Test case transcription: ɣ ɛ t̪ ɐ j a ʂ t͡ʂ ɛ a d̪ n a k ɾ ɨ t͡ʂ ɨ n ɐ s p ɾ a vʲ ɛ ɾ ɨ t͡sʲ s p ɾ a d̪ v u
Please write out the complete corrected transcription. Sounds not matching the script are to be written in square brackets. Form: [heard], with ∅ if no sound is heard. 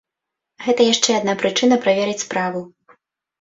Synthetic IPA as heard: ɣ ɛ t̪ ɐ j a ʂ t͡ʂ ɛ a d̪ n a [p] ɾ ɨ t͡ʂ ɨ n ɐ [∅] p ɾ a vʲ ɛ ɾ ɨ t͡sʲ s p ɾ a [∅] v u